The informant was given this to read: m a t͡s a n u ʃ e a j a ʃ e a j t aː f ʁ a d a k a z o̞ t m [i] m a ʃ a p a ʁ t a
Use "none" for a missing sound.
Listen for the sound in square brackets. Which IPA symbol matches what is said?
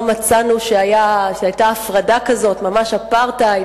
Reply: a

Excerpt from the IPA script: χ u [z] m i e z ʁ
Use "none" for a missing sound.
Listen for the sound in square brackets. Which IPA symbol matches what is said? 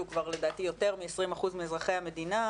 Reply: z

